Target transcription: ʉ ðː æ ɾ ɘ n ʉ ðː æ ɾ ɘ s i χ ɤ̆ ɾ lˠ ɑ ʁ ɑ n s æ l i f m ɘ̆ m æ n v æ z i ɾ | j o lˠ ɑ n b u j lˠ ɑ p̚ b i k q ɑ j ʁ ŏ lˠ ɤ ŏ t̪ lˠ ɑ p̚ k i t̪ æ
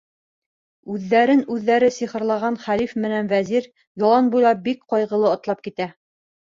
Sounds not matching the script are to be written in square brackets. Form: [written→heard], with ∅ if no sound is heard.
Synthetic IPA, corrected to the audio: ʉ ðː æ ɾ ɘ n ʉ ðː æ ɾ ɘ s i χ ɤ̆ ɾ lˠ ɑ ʁ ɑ n [s→χ] æ l i f m ɘ̆ [m→n] æ n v æ z i ɾ | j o lˠ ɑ n b u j lˠ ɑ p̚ b i k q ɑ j ʁ [ŏ→ɤ̆] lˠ ɤ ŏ t̪ lˠ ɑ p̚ k i t̪ æ